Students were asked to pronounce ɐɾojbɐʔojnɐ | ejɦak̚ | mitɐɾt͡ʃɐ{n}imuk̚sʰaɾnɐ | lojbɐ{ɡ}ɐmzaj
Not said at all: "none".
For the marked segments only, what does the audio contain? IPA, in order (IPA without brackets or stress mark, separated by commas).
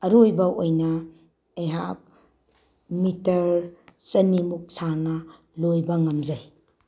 n, ŋ